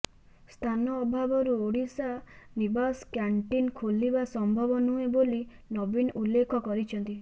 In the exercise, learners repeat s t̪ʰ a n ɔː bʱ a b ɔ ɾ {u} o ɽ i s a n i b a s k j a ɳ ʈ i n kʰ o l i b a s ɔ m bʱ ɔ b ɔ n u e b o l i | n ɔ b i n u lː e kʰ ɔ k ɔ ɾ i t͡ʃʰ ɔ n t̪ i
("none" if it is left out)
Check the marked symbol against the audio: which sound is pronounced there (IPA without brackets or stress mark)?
u